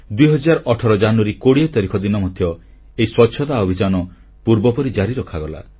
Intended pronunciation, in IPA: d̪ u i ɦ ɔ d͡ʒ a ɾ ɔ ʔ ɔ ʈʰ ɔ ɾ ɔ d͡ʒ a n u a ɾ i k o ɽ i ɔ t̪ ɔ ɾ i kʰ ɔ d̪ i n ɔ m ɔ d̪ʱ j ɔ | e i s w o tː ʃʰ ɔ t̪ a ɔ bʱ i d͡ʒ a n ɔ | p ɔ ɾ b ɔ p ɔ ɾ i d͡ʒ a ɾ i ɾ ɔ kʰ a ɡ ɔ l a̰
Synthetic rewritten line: d̪ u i ɦ ɔ d͡ʒ a ɾ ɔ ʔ ɔ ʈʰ ɔ ɾ ɔ d͡ʒ a n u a ɾ i k o ɽ i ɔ t̪ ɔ ɾ i kʰ ɔ d̪ i n ɔ m ɔ d̪ʱ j ɔ | e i s w ɔ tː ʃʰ ɔ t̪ a ɔ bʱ i d͡ʒ a n ɔ | p u ɾ b ɔ p ɔ ɾ i d͡ʒ a ɾ i ɾ ɔ kʰ a ɡ ɔ l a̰